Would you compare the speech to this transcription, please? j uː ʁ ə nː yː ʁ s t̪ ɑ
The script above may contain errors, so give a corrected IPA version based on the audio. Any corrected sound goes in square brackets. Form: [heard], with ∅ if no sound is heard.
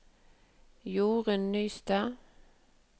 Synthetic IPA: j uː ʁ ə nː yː [∅] s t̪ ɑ